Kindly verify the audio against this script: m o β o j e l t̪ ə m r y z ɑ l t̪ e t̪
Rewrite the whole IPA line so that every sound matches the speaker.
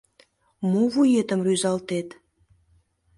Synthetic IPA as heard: m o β u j e t̪ ə m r y z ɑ l t̪ e t̪

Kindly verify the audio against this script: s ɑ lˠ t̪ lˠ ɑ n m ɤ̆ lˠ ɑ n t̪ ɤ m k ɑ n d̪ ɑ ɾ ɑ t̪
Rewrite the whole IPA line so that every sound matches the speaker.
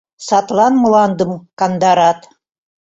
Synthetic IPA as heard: s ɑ t̪ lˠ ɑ n m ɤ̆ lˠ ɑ n d̪ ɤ m k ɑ n d̪ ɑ ɾ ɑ t̪

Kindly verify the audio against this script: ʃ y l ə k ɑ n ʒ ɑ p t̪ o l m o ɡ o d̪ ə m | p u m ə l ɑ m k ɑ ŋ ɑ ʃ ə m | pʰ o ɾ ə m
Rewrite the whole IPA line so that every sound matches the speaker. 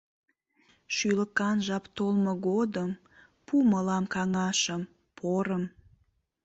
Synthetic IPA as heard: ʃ y l ə k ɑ n ʒ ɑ p t̪ o l m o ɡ o d̪ ə m | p u m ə l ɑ m k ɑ ŋ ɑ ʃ ə m | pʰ o ɾ ə m

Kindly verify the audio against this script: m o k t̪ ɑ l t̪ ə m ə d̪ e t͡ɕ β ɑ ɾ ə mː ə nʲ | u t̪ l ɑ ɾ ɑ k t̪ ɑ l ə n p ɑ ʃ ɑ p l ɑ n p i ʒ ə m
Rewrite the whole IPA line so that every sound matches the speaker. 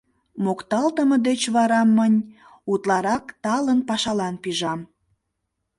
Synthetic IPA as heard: m o k t̪ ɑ l t̪ ə m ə d̪ e t͡ɕ β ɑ ɾ ɑ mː ə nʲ | u t̪ l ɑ ɾ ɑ k t̪ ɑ l ə n p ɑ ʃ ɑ l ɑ n p i ʒ ɑ m

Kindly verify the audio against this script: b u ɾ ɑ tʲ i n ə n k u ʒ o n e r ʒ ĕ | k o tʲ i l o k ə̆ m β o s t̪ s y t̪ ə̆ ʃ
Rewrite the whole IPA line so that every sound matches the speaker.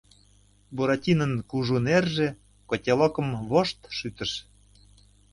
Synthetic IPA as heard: b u ɾ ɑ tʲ i n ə n k u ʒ u n e r ʒ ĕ | k o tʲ e l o k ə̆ m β o ʃ t̪ ʃ y t̪ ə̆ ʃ

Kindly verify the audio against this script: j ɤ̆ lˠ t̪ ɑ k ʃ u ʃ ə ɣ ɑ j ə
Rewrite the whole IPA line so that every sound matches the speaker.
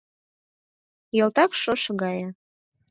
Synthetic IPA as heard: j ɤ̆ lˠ t̪ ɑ k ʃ o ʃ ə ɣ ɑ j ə

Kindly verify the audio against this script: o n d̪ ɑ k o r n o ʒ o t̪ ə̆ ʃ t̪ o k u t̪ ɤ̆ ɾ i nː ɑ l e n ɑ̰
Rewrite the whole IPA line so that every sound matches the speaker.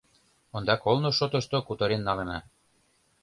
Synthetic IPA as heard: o n d̪ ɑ k o l n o ʃ o t̪ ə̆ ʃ t̪ o k u t̪ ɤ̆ ɾ e nː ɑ l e n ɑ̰

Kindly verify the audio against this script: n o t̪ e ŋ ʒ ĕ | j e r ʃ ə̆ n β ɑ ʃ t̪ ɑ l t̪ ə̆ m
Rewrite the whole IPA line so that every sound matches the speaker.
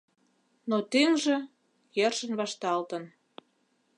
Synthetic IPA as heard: n o t̪ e ŋ ʒ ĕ | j e r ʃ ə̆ n β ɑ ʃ t̪ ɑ l t̪ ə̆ n

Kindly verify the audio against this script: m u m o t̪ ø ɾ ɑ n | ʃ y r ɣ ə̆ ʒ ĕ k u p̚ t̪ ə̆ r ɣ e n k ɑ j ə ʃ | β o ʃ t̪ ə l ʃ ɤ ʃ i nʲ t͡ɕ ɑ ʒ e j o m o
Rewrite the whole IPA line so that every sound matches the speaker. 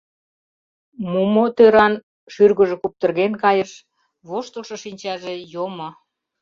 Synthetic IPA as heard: m u m o t̪ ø ɾ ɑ n | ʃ y r ɣ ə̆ ʒ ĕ k u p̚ t̪ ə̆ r ɣ e n k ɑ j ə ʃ | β o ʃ t̪ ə l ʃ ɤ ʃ i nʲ t͡ɕ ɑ ʒ e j o m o

